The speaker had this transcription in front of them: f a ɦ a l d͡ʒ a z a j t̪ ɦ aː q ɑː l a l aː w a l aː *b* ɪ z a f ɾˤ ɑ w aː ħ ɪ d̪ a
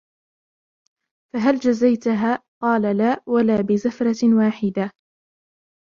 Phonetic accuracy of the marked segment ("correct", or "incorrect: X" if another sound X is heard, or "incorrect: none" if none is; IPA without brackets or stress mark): correct